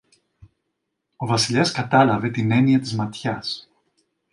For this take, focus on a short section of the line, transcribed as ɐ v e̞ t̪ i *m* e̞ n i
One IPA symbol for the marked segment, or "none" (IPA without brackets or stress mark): n